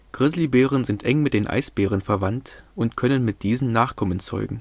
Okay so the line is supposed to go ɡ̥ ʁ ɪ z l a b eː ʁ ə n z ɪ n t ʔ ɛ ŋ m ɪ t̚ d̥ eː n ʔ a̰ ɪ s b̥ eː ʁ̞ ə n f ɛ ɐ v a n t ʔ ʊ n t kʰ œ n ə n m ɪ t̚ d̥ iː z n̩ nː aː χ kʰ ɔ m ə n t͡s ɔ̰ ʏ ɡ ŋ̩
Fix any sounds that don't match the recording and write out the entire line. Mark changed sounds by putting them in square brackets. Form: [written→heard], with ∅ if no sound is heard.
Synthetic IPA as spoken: ɡ̥ ʁ ɪ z l [a→i] b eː ʁ ə n z ɪ n t ʔ ɛ ŋ m ɪ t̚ d̥ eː n ʔ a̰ ɪ s b̥ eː ʁ̞ ə n f ɛ ɐ v a n t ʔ ʊ n t kʰ œ n ə n m ɪ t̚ d̥ iː z n̩ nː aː χ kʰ ɔ m ə n t͡s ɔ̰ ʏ ɡ ŋ̩